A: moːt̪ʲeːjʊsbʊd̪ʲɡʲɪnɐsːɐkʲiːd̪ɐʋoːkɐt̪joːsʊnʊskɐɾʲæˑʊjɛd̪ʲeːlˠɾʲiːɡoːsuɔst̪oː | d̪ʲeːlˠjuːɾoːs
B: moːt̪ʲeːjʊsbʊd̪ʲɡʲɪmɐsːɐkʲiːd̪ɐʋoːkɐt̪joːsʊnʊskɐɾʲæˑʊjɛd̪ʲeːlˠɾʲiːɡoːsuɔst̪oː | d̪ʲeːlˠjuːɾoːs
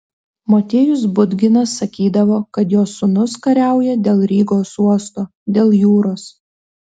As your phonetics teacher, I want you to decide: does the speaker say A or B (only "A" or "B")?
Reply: A